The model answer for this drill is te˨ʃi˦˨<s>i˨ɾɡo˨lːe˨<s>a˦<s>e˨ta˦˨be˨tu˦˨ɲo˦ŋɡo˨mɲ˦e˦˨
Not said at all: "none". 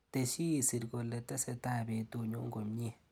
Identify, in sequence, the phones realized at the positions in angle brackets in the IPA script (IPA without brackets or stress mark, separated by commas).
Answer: s, t, s